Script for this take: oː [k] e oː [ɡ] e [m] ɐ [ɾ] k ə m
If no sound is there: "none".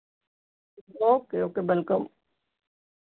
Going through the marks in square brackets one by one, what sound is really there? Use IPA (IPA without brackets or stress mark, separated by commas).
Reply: k, k, b, l